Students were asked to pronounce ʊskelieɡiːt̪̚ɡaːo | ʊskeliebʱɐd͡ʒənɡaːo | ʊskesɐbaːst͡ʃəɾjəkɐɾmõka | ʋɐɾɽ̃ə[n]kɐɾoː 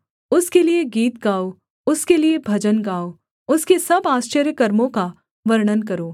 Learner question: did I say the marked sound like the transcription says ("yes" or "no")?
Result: yes